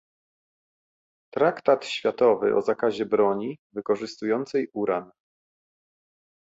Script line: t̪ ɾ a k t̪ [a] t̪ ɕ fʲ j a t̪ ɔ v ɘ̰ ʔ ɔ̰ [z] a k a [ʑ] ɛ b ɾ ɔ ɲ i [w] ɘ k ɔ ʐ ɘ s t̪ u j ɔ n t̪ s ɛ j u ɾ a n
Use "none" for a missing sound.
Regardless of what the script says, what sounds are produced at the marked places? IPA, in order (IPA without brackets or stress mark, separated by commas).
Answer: a, z, ʑ, v